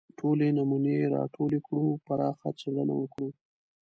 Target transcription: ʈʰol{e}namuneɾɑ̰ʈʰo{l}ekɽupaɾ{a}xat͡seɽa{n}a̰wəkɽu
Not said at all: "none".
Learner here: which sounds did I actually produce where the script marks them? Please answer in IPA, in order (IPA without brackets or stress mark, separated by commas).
e, l, ɑ, n